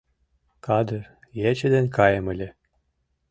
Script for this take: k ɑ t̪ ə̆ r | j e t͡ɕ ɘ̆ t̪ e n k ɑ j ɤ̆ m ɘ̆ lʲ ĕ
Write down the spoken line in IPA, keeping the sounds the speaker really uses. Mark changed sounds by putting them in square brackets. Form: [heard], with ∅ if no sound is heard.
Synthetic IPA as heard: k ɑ [d̪] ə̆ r | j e t͡ɕ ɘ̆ [d̪] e n k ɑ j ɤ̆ m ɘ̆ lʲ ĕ